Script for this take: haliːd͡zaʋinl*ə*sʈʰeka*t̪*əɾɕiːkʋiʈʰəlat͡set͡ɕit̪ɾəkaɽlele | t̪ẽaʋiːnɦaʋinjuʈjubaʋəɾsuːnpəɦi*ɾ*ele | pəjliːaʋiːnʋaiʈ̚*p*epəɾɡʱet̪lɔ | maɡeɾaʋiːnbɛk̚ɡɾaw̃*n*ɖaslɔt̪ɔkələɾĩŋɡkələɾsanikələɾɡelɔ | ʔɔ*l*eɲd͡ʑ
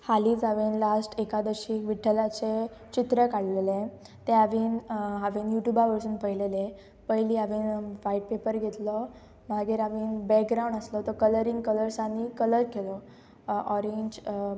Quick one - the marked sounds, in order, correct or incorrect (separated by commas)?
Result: incorrect, incorrect, incorrect, correct, incorrect, incorrect